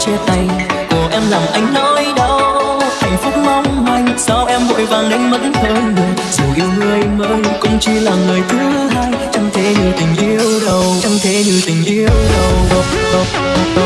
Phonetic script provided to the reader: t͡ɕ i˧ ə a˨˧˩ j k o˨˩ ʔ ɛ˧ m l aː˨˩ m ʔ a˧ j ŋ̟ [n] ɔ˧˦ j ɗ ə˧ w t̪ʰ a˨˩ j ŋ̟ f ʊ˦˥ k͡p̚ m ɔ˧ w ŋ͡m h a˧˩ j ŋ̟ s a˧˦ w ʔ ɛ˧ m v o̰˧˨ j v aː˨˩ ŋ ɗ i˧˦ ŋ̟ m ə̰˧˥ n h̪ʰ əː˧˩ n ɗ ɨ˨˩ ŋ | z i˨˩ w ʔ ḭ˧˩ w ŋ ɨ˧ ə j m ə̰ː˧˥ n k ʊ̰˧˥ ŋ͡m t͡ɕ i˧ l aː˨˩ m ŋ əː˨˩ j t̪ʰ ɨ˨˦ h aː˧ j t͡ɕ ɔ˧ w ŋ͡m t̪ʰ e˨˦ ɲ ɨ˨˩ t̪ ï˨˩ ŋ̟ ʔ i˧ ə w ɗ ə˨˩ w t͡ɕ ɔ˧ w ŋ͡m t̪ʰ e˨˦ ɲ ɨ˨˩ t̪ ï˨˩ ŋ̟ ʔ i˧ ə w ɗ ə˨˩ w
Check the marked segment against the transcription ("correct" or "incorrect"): correct